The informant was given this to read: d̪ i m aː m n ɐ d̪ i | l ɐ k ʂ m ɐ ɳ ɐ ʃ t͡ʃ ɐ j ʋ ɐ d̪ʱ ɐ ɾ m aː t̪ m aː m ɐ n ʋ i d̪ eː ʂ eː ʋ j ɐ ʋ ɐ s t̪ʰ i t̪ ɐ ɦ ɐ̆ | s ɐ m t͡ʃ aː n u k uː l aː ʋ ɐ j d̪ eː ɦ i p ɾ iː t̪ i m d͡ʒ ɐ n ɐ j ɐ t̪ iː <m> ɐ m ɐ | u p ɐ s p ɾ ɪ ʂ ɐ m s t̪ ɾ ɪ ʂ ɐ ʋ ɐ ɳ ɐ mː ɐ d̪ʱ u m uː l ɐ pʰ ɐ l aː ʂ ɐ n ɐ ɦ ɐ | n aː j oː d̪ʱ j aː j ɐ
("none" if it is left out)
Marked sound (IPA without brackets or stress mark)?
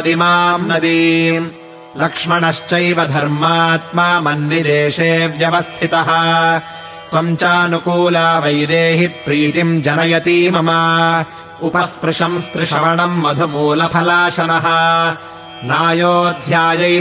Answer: m